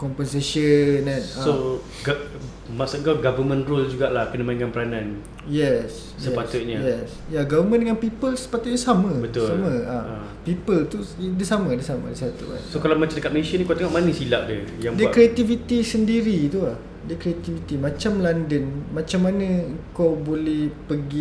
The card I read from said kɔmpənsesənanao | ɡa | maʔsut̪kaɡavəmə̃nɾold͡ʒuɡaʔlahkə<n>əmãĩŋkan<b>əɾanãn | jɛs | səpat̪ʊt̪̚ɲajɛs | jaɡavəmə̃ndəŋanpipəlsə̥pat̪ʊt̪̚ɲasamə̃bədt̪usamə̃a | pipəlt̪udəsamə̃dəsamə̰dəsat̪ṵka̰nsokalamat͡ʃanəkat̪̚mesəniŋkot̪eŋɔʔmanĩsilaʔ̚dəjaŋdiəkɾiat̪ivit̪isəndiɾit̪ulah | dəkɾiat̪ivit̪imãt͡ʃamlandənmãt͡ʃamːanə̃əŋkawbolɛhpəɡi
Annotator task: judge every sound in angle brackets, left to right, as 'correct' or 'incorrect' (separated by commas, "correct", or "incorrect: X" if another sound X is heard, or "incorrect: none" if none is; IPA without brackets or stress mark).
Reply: correct, incorrect: p